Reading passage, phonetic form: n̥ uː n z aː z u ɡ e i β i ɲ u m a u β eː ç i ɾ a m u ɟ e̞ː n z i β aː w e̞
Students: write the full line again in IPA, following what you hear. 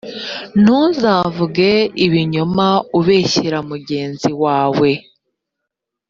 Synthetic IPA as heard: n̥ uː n z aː v u ɡ e i β i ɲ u m a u β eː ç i ɾ a m u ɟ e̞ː n z i w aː w e̞